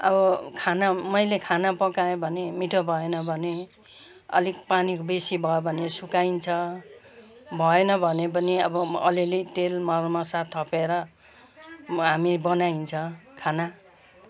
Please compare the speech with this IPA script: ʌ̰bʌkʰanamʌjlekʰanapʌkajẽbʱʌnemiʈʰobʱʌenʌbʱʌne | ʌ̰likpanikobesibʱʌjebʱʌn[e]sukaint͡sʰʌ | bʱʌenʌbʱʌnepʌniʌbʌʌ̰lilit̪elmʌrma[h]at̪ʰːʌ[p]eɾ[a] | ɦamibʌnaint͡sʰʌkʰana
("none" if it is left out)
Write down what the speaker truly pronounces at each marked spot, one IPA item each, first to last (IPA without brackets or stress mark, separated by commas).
e, s, p, ʌ